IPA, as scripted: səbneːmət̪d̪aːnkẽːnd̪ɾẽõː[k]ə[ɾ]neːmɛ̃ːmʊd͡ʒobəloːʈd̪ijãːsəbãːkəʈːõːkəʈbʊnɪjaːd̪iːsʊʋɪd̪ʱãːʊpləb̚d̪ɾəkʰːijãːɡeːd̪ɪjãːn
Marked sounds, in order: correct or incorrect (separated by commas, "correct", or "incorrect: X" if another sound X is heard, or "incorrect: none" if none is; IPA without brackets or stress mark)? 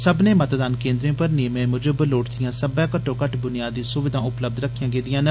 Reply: incorrect: p, correct